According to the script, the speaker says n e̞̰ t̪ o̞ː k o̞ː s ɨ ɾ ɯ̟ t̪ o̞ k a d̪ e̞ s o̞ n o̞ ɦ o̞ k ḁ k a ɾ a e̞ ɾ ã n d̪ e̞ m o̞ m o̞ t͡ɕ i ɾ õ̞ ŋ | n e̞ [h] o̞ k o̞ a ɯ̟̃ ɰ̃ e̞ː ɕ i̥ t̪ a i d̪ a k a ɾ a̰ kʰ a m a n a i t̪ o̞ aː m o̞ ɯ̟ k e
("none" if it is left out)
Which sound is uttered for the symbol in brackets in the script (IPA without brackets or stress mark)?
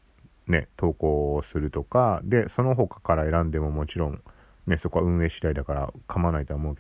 s